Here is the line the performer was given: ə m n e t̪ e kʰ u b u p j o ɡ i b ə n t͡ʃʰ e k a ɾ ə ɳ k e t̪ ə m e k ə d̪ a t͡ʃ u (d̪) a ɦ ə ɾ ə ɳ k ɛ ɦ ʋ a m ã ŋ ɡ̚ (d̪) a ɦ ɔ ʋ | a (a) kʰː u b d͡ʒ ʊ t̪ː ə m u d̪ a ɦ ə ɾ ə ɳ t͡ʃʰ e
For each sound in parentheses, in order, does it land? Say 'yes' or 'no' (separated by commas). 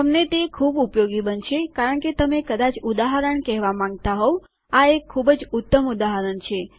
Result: yes, no, no